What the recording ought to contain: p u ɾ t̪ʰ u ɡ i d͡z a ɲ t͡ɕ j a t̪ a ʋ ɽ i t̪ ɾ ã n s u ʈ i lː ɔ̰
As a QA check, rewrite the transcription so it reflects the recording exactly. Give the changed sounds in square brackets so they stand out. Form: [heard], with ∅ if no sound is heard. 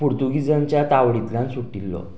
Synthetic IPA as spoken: p u ɾ [t̪] u ɡ i d͡z a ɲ t͡ɕ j a t̪ a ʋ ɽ i t̪ [l] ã n s u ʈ i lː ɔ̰